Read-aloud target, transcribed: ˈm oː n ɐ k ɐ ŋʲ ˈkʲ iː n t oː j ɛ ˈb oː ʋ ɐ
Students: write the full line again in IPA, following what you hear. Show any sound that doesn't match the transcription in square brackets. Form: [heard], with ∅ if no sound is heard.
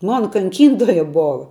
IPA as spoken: ˈm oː n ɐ k ɐ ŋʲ ˈkʲ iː n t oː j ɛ ˈb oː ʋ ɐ